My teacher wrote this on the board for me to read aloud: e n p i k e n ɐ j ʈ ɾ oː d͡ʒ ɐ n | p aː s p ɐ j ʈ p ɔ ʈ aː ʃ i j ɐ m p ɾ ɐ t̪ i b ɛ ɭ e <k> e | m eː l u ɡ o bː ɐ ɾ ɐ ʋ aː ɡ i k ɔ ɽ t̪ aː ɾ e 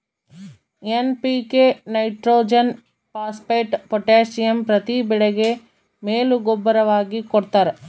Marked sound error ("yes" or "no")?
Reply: yes